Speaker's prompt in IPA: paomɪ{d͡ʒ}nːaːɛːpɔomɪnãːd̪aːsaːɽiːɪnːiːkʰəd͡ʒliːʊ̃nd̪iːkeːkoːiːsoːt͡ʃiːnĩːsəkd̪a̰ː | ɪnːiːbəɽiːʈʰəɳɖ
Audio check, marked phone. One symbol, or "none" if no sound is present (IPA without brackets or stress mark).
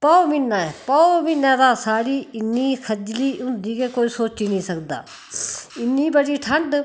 none